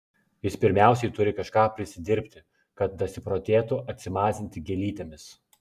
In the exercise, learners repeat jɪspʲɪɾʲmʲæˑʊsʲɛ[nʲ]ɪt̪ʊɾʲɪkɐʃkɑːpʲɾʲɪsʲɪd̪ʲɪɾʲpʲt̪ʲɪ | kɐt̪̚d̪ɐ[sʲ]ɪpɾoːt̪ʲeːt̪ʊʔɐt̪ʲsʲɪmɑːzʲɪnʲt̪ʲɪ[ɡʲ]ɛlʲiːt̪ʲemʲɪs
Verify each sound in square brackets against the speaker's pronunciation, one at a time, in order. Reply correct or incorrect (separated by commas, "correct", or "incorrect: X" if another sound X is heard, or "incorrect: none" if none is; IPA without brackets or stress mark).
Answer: incorrect: none, correct, correct